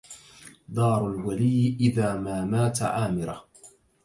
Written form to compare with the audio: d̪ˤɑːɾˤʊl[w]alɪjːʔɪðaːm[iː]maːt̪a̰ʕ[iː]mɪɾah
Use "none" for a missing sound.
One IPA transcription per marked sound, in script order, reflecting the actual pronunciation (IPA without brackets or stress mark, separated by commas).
w, aː, aː